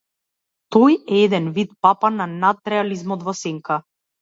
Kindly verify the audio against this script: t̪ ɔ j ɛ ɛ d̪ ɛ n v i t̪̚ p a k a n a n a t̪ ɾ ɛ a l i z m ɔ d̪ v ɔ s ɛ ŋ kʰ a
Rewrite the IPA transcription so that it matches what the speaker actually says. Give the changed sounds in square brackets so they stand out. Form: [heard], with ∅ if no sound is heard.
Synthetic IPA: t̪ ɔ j ɛ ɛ d̪ ɛ n v i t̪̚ p a [p] a n a n a t̪ ɾ ɛ a l i z m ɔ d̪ v ɔ s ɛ ŋ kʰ a